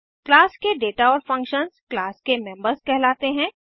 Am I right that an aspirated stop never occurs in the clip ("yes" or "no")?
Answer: yes